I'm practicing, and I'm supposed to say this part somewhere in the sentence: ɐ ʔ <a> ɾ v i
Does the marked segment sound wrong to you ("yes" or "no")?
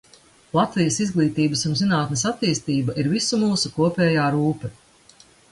yes